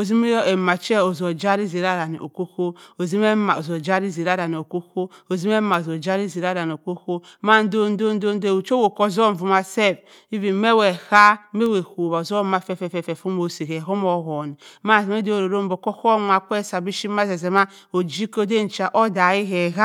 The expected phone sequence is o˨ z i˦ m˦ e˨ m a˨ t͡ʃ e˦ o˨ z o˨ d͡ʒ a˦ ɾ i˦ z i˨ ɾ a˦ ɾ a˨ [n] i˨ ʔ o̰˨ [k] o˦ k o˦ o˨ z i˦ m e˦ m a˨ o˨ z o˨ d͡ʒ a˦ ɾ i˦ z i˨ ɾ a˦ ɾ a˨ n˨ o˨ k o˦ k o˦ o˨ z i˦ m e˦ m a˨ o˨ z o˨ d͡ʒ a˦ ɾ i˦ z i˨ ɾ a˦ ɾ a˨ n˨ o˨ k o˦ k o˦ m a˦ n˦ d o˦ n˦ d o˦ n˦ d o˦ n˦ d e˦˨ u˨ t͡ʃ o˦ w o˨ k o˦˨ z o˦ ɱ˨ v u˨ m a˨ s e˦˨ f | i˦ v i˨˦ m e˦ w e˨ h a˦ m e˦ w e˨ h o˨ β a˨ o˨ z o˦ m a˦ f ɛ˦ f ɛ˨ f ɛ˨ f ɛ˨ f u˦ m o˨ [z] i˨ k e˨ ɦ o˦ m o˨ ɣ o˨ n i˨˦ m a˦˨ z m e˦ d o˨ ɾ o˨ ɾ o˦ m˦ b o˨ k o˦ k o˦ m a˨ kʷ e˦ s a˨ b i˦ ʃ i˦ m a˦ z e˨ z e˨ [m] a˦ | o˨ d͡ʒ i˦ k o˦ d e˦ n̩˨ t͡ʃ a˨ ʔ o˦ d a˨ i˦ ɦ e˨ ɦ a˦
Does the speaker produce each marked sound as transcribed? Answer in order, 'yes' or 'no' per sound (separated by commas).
yes, yes, no, yes